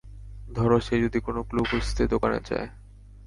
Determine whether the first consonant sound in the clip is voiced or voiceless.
voiced